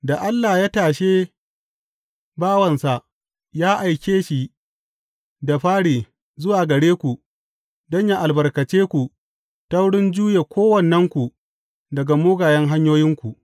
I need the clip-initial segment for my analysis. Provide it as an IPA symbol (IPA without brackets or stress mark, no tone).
d